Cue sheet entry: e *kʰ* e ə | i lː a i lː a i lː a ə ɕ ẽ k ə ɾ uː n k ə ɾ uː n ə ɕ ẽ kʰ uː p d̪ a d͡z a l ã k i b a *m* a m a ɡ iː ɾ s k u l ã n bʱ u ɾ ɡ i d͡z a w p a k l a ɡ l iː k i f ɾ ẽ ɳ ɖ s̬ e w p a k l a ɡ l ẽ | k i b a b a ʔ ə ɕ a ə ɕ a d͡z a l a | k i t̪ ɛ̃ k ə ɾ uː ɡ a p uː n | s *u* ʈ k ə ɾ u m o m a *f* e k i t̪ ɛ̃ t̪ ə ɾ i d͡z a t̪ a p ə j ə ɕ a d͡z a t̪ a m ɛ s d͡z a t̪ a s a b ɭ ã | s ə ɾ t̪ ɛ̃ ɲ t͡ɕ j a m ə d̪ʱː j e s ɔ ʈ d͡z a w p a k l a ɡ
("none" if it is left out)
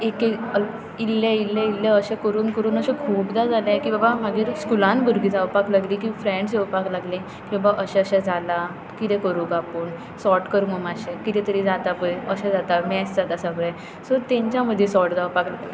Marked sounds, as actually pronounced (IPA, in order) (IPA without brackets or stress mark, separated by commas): k, b, ɔ, ɕ